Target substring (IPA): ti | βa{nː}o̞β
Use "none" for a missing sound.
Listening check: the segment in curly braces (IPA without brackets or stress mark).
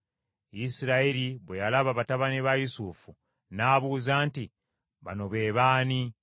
n